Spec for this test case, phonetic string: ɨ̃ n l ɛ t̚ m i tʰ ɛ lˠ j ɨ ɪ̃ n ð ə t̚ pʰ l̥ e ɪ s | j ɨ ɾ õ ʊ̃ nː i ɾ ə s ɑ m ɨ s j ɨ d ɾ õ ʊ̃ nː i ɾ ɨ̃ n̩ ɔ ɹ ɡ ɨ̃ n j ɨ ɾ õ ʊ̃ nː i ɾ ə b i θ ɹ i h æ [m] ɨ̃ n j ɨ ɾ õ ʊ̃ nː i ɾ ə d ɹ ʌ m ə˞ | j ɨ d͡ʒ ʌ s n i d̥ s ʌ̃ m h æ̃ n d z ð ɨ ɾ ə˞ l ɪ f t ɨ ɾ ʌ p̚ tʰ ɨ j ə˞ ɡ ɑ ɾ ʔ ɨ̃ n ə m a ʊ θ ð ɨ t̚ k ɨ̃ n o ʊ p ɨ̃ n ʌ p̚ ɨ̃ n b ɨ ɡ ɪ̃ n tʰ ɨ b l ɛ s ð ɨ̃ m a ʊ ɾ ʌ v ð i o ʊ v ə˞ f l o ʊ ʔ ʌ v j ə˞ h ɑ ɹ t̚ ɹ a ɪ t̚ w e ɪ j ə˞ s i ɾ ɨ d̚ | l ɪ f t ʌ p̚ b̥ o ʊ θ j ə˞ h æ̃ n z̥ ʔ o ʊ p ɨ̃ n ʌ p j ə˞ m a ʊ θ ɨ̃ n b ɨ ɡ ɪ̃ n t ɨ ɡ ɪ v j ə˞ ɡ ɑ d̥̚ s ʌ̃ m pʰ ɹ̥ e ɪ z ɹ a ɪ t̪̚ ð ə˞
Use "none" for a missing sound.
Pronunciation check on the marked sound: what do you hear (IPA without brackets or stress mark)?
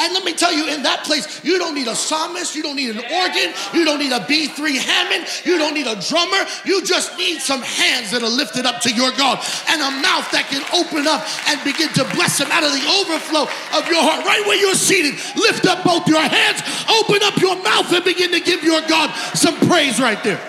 m